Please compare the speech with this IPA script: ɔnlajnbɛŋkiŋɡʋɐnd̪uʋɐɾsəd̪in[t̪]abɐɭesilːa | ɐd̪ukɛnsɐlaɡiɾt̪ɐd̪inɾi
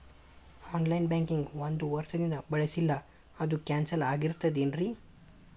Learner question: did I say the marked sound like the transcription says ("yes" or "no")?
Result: no